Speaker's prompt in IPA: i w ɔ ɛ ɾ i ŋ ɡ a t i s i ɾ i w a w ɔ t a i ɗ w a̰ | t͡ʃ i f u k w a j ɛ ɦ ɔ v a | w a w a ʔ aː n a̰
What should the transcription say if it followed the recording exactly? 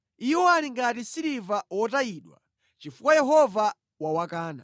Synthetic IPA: i w ɔ a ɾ i ŋ ɡ a t i s i ɾ i v a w ɔ t a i ɗ w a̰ | t͡ʃ i f u k w a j ɛ ɦ ɔ v a | w a w a k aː n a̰